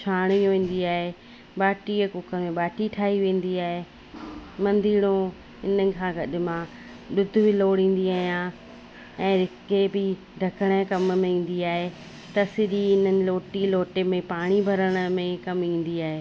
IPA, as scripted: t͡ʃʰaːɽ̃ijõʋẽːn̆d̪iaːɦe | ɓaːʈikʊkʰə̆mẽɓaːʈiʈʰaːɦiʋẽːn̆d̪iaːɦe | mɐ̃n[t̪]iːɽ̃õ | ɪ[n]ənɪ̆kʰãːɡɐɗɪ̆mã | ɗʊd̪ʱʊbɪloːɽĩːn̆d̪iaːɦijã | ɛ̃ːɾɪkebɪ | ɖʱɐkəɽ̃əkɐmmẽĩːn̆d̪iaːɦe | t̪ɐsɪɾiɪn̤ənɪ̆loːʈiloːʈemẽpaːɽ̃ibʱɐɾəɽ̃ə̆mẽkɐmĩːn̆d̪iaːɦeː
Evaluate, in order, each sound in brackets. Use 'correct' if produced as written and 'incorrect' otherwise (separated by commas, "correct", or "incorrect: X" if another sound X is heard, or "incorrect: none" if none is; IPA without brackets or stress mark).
incorrect: d̪, correct